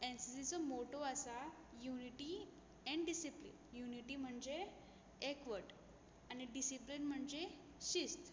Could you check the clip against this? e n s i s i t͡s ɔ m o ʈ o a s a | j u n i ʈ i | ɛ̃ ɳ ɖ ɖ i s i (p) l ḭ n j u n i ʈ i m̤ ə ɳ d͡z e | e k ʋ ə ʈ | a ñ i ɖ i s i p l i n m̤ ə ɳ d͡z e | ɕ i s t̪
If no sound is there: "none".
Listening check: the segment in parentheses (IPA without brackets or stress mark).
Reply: p